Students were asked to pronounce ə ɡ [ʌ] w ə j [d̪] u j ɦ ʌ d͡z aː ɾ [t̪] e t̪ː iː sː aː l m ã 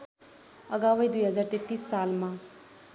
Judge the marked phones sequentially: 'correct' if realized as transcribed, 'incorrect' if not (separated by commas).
incorrect, correct, correct